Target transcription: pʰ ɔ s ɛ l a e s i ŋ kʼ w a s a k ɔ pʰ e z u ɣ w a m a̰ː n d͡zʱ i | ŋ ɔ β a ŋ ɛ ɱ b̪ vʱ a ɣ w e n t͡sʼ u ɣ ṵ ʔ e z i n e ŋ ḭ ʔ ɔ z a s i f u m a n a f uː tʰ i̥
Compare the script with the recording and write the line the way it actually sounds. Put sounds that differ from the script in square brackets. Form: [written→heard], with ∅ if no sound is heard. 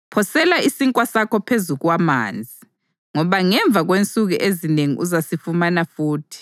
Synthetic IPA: pʰ ɔ s ɛ l a [e→i] s i ŋ kʼ w a s a k ɔ pʰ e z u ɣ w a m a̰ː n d͡zʱ i | ŋ ɔ β a ŋ ɛ ɱ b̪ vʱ a ɣ w e n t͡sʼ u ɣ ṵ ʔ e z i n e ŋ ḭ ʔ [ɔ→u] z a s i f u m a n a f uː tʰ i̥